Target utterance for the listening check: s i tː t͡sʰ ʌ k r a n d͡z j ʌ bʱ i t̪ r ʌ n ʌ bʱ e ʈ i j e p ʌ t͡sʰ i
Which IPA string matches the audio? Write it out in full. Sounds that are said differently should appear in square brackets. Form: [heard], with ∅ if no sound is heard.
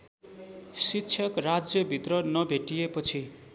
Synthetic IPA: s i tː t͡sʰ ʌ k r a [∅] d͡z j ʌ bʱ i t̪ r ʌ n ʌ bʱ e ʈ i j e p ʌ t͡sʰ i